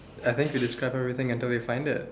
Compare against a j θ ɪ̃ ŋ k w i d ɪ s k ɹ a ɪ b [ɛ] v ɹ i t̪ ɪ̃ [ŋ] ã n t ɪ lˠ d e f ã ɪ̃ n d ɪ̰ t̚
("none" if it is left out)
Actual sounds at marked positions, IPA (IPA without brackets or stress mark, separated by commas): ɛ, ŋ